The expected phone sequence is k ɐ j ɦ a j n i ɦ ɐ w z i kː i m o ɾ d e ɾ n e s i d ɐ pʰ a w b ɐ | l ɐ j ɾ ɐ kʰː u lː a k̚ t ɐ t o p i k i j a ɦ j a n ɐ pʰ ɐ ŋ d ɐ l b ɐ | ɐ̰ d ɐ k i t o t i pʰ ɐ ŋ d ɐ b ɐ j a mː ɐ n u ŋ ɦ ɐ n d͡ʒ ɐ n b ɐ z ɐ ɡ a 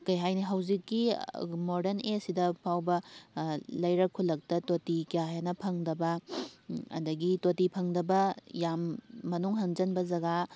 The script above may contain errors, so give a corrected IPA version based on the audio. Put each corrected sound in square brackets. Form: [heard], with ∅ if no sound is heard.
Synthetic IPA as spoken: k ɐ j ɦ a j n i ɦ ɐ w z i kː i m o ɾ d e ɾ n e s i d ɐ pʰ a w b ɐ | l ɐ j ɾ ɐ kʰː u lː [ɐ] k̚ t ɐ t o [t] i k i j a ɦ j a n ɐ pʰ ɐ ŋ d ɐ [∅] b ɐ | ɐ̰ d ɐ [ɡ] i t o t i pʰ ɐ ŋ d ɐ b ɐ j a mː ɐ n u ŋ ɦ ɐ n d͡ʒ ɐ n b ɐ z ɐ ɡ a